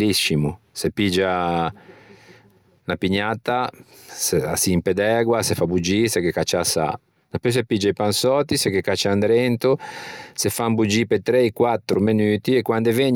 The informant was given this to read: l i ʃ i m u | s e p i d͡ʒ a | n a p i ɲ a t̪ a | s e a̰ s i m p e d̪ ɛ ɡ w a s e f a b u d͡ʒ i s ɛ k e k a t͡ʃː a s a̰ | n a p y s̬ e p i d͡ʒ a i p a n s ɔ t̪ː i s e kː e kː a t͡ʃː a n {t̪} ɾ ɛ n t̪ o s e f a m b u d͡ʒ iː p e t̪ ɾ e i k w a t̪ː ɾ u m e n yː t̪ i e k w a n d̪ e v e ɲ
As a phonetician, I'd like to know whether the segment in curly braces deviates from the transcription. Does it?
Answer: yes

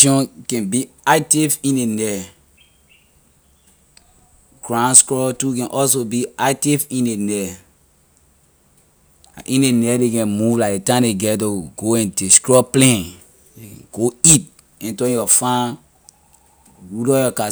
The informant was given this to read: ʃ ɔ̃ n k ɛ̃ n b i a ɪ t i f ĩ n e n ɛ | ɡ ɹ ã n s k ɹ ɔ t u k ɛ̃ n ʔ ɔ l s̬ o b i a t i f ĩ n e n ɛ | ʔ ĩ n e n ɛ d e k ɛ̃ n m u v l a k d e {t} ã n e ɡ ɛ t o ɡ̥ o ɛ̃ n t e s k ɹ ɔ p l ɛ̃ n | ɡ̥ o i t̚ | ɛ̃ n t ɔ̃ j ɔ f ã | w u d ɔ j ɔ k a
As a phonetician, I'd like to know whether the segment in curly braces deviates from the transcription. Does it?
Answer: no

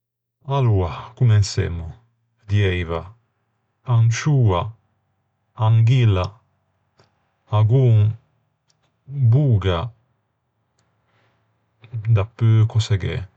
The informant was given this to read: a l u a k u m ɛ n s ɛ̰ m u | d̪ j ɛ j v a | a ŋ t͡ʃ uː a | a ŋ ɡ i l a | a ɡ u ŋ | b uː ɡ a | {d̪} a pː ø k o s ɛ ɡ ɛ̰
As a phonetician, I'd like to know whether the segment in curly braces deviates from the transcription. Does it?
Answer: no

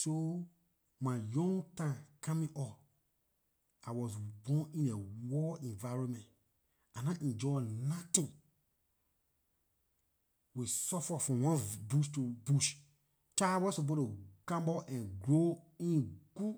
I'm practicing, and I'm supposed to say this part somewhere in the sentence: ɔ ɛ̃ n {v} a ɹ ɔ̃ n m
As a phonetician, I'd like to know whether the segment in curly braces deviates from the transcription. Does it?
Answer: no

